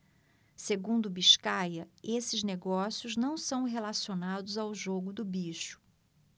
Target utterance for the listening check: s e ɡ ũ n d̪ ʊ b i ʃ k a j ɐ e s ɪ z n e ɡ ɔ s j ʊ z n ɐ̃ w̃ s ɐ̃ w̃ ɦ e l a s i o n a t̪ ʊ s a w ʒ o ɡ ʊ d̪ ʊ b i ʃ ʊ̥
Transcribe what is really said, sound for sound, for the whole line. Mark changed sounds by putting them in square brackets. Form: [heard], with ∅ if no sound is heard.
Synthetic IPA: s e ɡ ũ n d̪ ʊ b i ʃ k a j ɐ e s ɪ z n e ɡ ɔ s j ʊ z n ɐ̃ w̃ s ɐ̃ w̃ ɦ e l a s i o n a [d̪] ʊ [z] a w ʒ o ɡ ʊ d̪ ʊ b i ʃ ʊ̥

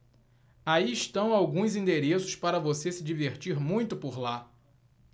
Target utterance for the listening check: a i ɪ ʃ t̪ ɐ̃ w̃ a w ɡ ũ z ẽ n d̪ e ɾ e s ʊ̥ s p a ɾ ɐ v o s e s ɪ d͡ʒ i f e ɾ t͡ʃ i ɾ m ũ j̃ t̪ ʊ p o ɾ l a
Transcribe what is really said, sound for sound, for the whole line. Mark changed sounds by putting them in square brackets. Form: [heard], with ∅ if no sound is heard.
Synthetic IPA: a i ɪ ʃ t̪ ɐ̃ w̃ a w ɡ ũ z [ĩ] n d̪ e ɾ e s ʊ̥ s p a ɾ ɐ v o s e s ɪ d͡ʒ i [v] e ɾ t͡ʃ i ɾ m ũ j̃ t̪ ʊ p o ɾ l a

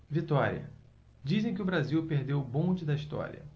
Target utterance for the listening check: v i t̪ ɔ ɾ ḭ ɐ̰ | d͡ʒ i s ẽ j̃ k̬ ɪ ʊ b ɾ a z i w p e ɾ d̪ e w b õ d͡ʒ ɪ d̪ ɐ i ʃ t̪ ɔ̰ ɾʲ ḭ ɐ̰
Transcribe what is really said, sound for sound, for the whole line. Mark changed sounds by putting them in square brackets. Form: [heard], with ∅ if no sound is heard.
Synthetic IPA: v i t̪ ɔ ɾ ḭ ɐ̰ | d͡ʒ i [z] ẽ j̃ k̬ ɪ ʊ b ɾ a z i w p e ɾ d̪ e w b õ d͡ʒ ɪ d̪ ɐ i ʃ t̪ ɔ̰ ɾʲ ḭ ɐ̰

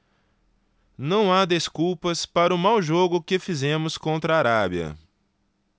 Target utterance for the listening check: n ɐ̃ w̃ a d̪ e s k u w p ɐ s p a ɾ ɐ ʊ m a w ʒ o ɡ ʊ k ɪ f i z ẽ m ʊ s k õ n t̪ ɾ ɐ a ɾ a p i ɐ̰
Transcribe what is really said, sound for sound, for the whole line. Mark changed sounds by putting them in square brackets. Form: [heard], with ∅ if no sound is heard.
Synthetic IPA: n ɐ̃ w̃ a d̪ e s k u w p ɐ s p a ɾ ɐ ʊ m a w ʒ o ɡ ʊ k ɪ f i z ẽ m ʊ s k õ n t̪ ɾ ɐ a ɾ a [b] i ɐ̰

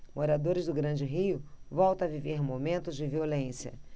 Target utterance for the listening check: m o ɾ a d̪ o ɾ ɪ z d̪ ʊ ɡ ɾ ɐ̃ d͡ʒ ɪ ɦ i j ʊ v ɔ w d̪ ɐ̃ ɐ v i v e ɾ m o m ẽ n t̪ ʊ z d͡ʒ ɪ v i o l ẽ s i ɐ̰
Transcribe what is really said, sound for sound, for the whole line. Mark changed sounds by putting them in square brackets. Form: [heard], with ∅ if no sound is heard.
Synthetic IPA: m o ɾ a d̪ o ɾ ɪ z d̪ ʊ ɡ ɾ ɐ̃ d͡ʒ ɪ ɦ i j ʊ v ɔ w [t̪] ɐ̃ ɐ v i v e ɾ m o m ẽ n t̪ ʊ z d͡ʒ ɪ v i o l ẽ s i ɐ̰

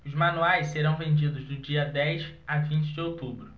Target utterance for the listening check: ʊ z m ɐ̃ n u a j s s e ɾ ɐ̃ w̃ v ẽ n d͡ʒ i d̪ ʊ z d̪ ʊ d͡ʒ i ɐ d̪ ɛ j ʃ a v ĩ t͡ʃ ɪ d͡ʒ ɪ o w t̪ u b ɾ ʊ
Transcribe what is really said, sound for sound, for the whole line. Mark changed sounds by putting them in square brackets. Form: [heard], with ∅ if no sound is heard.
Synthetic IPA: ʊ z m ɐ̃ n u a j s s e ɾ ɐ̃ w̃ v ẽ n d͡ʒ i d̪ ʊ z d̪ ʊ d͡ʒ i ɐ d̪ ɛ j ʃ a v ĩ t͡ʃ ɪ d͡ʒ ɪ o w t̪ u b ɾ ʊ

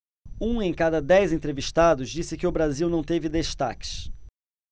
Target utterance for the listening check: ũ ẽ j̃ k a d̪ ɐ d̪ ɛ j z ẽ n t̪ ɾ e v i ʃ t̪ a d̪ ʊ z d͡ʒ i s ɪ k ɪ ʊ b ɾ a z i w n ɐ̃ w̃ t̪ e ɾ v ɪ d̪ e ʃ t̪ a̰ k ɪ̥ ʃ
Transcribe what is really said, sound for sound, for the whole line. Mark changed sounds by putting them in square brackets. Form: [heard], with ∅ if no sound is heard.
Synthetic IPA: ũ ẽ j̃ k a d̪ ɐ d̪ ɛ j z ẽ n t̪ ɾ e v i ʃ t̪ a d̪ ʊ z d͡ʒ i s ɪ k ɪ ʊ b ɾ a z i w n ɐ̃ w̃ t̪ e [∅] v ɪ d̪ e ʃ t̪ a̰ k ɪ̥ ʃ

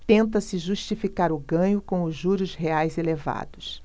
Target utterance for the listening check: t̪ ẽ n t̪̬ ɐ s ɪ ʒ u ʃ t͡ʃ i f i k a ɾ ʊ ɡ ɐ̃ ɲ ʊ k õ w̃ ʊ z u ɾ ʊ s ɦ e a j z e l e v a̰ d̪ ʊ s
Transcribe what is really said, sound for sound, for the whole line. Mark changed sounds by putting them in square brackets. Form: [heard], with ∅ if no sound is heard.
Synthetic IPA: t̪ ẽ n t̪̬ ɐ s ɪ ʒ u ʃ t͡ʃ i f i k a ɾ ʊ ɡ ɐ̃ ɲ ʊ k õ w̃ ʊ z u ɾ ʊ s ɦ e a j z e l e v a̰ d̪ ʊ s

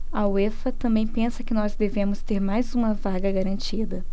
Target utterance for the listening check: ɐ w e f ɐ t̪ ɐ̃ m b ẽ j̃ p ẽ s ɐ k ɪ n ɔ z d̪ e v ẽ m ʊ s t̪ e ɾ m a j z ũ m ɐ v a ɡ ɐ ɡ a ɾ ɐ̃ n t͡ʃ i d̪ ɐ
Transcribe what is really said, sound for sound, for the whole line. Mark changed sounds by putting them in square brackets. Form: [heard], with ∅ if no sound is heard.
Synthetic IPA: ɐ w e f ɐ t̪ ɐ̃ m b ẽ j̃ p ẽ s ɐ k ɪ n ɔ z d̪ e v ẽ m ʊ s t̪ e ɾ m a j z ũ m ɐ v a ɡ ɐ ɡ a ɾ ɐ̃ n t͡ʃ i d̪ ɐ

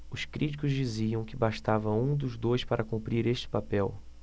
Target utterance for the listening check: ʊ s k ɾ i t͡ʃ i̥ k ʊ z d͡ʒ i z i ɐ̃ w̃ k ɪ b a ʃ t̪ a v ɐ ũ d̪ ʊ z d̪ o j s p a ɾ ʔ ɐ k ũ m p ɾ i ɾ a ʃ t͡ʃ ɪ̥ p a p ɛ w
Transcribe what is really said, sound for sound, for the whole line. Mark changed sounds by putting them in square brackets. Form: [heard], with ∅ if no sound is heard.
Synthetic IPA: ʊ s k ɾ i t͡ʃ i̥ k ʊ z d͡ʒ i z i ɐ̃ w̃ k ɪ b a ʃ t̪ a v ɐ ũ d̪ ʊ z d̪ o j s p a ɾ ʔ ɐ k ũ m p ɾ i ɾ [e] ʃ t͡ʃ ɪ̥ p a p ɛ w

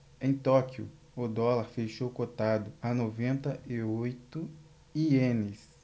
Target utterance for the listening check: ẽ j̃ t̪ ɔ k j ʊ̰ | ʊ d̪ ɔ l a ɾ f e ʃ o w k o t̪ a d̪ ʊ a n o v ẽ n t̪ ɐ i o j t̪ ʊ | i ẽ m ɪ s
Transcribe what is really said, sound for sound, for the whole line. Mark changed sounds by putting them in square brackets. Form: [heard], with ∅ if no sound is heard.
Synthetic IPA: ẽ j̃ t̪ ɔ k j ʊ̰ | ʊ d̪ ɔ l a ɾ f e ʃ o w k o t̪ a d̪ ʊ a n o v ẽ n t̪ ɐ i o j t̪ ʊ | i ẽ [n] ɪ s

